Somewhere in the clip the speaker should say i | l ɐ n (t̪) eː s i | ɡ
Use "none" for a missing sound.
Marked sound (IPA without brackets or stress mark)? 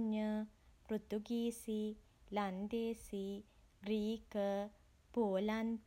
d̪